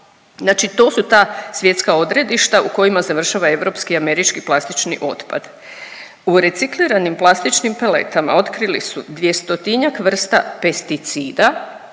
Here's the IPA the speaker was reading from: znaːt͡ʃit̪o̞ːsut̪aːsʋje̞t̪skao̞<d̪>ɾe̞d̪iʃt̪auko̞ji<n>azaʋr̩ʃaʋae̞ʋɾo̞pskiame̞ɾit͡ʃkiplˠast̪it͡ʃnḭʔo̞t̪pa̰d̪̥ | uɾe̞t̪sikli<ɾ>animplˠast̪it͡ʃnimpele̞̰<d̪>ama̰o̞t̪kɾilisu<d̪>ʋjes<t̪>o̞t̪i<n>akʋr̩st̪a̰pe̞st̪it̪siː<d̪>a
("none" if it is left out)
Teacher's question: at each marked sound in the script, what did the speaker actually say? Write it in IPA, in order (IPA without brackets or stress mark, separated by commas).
d̪, m, ɾ, t̪, d̪, t̪, ɲ, d̪